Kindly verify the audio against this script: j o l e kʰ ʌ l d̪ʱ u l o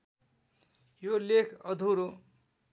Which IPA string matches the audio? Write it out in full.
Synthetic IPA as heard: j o l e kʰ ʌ d̪ʱ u ɾ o